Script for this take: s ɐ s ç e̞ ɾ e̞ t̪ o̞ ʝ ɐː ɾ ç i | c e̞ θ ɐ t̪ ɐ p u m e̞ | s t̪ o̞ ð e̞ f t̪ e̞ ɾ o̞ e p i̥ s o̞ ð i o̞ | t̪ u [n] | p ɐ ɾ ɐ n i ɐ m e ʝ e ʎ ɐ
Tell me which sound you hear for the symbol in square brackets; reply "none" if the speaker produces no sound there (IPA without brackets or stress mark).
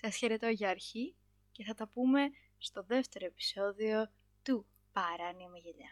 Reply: none